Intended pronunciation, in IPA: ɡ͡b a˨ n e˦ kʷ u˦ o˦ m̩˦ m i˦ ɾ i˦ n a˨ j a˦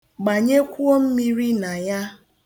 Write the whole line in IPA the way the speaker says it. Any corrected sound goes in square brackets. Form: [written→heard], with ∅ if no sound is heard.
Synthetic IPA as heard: ɡ͡b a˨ [n→ɲ] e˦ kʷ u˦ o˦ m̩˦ m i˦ ɾ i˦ n a˨ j a˦